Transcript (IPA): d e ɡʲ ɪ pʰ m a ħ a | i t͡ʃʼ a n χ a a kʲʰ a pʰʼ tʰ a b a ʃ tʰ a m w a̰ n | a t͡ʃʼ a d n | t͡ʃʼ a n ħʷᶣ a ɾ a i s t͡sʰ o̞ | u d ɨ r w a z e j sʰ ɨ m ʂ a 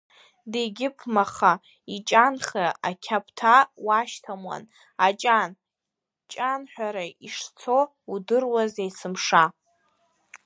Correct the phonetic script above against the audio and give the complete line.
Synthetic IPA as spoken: d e ɡʲ ɪ pʰ m a χ a | i t͡ʃʼ a n χ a a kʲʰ a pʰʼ tʰ a w a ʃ tʰ a m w a̰ n | a t͡ʃʼ a n | t͡ʃʼ a n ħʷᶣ a ɾ a i ʂ t͡sʰ o̞ | u d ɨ r w a z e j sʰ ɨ m ʂ a